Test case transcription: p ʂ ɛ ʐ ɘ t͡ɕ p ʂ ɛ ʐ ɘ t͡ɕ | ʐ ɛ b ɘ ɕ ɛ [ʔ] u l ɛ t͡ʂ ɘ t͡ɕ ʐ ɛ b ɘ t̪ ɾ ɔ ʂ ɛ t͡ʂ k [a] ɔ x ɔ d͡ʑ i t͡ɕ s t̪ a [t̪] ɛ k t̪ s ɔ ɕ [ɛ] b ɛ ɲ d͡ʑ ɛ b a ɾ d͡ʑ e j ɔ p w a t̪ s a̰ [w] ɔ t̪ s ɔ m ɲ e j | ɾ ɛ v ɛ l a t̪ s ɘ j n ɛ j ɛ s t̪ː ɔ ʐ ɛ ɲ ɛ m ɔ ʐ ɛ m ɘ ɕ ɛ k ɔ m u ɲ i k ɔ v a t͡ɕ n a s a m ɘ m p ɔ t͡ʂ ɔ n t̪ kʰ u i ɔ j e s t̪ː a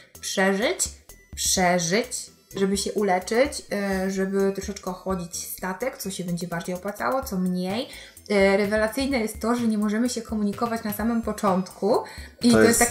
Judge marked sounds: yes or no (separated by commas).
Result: yes, no, yes, yes, yes